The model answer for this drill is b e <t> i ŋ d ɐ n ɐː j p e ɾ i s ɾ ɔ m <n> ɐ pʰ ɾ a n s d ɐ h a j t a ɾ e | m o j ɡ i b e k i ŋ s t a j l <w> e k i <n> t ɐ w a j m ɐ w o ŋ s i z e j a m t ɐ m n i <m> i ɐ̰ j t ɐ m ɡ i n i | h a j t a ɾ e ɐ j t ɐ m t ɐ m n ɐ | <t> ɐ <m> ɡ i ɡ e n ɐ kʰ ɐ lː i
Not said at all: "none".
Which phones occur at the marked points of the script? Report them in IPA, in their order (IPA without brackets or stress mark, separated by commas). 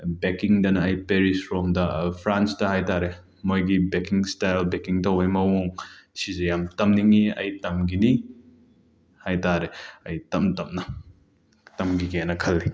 k, d, b, ŋ, ŋ, t, m